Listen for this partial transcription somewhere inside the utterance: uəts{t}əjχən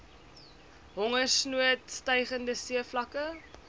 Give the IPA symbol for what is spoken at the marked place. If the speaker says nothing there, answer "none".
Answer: t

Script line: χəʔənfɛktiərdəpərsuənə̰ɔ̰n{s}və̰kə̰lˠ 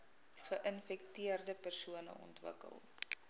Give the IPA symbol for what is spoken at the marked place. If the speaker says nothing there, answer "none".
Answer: t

